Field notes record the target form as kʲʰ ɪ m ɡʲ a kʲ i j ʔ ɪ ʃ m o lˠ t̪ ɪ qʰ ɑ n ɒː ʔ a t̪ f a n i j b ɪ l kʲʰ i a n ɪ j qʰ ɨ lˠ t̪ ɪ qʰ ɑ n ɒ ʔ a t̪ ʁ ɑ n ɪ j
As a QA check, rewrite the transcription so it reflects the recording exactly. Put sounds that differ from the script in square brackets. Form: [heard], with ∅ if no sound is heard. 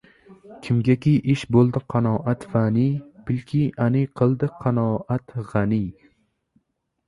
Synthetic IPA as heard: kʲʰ ɪ m ɡʲ a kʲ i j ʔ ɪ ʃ [b] o lˠ [d̪] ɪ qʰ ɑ n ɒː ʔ a t̪ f a n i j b ɪ l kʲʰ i a n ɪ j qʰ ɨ lˠ [d̪] ɪ qʰ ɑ n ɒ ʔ a t̪ ʁ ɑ n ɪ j